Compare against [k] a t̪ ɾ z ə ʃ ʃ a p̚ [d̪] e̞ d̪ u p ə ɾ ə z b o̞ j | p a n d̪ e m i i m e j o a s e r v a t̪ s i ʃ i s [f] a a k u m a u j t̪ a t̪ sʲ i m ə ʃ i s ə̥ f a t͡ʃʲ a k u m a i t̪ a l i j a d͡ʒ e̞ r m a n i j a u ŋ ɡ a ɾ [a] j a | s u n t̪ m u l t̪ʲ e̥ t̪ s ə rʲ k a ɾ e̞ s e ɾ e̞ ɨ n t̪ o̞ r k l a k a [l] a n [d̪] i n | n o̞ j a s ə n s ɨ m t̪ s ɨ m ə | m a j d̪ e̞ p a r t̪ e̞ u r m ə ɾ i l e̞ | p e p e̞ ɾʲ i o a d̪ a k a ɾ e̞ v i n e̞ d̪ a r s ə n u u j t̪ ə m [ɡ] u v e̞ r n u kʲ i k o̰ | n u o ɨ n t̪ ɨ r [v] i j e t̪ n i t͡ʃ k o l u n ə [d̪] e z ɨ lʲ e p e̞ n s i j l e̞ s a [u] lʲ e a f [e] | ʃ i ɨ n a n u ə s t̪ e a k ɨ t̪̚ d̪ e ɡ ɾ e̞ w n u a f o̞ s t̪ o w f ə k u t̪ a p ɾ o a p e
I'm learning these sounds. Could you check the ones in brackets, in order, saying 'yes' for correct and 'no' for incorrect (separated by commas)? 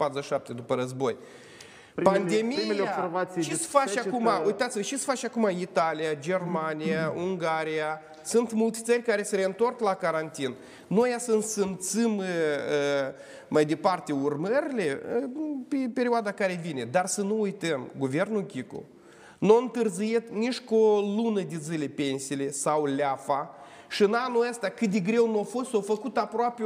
no, no, yes, no, no, no, yes, no, yes, no, no